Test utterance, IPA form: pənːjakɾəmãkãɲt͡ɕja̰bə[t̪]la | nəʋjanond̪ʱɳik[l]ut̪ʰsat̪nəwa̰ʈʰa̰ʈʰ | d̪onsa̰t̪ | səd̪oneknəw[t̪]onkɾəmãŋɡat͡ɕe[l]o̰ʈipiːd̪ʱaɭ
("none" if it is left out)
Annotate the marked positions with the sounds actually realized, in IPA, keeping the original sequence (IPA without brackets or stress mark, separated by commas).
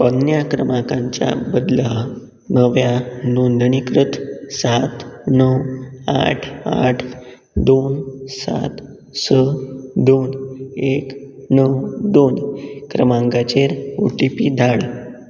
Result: d̪, ɾ, d̪, ɾ